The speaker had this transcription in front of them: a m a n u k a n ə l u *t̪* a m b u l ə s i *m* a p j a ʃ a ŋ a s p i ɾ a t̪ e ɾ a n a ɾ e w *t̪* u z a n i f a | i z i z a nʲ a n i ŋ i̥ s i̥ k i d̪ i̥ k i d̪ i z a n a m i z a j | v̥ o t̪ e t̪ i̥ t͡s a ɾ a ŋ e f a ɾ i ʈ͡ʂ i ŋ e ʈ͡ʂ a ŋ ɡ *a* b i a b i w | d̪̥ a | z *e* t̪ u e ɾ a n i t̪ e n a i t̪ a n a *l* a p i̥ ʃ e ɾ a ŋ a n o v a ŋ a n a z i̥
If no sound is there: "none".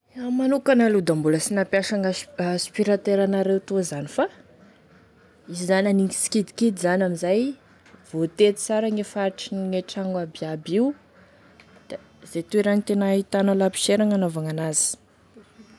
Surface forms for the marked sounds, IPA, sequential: d̪, n, t̪, a, e, l

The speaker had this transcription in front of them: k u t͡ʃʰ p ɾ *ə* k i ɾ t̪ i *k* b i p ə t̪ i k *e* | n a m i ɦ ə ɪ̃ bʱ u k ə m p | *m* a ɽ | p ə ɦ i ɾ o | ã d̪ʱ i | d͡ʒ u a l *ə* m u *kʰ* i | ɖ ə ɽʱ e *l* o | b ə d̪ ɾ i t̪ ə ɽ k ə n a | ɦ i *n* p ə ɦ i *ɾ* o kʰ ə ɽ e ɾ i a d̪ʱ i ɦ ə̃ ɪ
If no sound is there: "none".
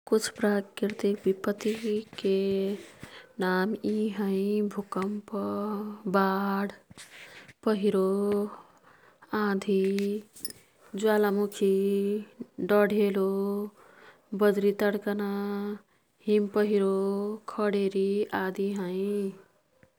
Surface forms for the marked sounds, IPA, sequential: a, k, e, b, a, kʰ, l, m, ɾ

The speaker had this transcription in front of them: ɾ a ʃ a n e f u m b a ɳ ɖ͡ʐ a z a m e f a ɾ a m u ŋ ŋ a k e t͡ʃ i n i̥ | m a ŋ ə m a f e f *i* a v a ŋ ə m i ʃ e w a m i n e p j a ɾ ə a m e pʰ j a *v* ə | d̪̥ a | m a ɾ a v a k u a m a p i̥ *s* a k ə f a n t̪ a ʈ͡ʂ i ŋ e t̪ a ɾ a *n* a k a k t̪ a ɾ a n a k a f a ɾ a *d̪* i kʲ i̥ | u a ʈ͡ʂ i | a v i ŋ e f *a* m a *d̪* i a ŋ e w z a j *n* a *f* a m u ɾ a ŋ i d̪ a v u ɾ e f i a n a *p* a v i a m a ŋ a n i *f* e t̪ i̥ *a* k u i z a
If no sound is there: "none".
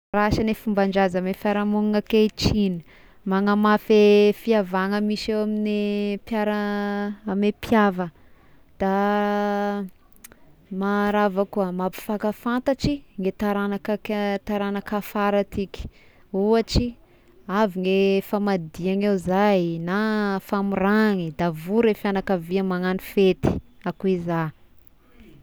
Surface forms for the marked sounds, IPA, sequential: i, v, f, n, t̪, a, d̪, n, f, k, f, a

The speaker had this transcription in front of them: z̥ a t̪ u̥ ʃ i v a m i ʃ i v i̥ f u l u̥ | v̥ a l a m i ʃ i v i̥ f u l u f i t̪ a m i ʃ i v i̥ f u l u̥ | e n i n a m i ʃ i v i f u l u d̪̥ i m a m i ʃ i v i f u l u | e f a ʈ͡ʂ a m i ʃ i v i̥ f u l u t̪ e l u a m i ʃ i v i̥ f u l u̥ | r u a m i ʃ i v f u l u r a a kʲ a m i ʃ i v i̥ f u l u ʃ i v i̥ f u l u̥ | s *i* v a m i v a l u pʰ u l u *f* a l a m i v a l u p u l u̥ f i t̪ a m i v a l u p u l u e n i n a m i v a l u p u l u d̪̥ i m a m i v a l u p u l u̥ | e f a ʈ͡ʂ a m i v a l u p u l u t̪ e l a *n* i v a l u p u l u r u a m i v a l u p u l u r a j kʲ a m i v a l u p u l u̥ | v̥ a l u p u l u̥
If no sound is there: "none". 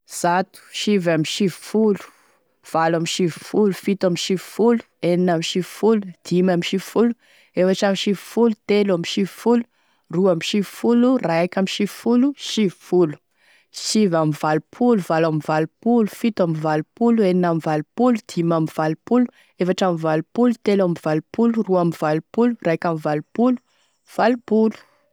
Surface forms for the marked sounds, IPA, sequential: i, v, m

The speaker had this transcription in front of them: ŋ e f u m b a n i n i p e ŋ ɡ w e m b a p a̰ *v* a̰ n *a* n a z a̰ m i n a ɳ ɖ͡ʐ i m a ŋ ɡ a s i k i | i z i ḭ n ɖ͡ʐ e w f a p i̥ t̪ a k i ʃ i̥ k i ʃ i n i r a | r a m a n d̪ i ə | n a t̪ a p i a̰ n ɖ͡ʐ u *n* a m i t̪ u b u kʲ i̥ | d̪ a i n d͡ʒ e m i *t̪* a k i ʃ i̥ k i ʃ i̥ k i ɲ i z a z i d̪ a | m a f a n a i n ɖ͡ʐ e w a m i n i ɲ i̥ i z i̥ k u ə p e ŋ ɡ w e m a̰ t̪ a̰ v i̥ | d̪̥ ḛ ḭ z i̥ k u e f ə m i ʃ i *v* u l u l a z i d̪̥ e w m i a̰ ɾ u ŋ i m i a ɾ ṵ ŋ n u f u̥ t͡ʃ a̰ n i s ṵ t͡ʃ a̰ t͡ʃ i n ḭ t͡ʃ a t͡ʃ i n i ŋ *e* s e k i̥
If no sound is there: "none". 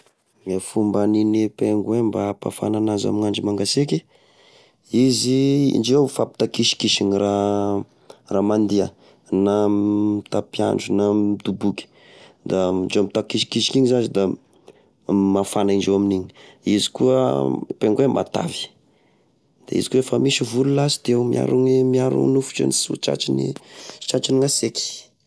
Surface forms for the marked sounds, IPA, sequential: f, a, n, t̪, v, a

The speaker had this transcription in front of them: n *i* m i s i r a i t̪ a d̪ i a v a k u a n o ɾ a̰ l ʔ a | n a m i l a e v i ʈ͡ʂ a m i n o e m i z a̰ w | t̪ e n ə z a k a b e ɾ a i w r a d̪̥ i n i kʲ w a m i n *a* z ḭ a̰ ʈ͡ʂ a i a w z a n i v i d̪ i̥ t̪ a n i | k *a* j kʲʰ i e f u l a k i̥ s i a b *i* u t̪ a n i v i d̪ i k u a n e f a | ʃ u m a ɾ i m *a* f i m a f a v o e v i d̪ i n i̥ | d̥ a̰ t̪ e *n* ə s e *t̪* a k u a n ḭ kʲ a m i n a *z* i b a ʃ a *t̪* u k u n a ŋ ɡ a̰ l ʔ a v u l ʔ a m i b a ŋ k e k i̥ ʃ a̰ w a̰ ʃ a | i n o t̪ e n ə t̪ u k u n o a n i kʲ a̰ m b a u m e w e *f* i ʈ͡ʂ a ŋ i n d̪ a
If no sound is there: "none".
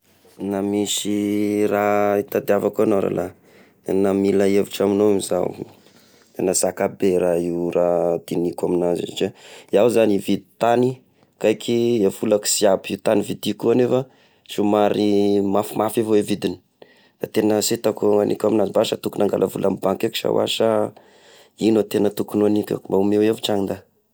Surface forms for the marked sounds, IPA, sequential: a, a, a, i, a, n, t̪, z, t̪, v

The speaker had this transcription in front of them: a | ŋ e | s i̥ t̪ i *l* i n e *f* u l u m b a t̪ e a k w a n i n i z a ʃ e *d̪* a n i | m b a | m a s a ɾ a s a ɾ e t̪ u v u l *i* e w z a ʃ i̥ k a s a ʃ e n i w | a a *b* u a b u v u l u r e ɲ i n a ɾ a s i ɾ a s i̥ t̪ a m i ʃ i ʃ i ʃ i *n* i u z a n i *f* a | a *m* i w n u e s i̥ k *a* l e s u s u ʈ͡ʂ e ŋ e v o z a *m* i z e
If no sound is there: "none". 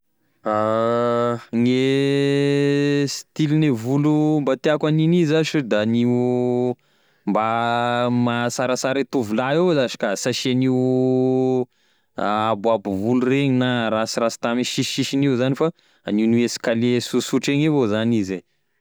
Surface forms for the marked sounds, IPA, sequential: l, v, d̪, a, b, n, f, n, a, n

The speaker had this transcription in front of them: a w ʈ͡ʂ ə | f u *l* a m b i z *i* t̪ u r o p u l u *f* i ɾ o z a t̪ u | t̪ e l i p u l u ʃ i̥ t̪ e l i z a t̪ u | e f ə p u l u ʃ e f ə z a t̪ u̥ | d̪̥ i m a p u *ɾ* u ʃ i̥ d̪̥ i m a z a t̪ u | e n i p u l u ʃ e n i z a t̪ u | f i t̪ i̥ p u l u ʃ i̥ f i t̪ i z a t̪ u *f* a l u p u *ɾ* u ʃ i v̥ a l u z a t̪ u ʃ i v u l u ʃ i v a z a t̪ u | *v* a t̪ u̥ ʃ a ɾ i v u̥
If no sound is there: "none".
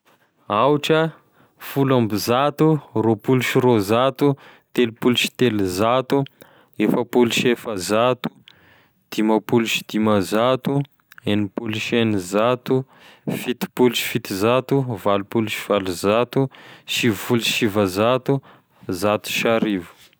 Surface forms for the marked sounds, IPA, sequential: l, a, ʃ, l, v, l, z

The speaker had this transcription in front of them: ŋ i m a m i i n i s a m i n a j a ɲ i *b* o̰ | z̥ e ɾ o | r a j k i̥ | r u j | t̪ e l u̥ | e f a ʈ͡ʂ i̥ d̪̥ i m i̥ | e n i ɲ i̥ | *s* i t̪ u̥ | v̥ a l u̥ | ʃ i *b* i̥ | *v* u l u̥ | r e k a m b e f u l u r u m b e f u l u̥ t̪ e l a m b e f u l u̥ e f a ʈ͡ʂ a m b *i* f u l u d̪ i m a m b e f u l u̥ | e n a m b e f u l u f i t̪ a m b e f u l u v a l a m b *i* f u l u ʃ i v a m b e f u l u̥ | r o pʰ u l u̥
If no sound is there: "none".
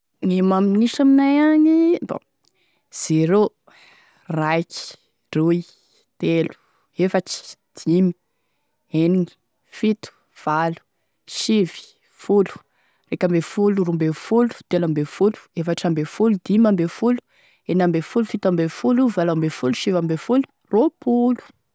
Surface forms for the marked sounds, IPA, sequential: b, f, v, f, e, e

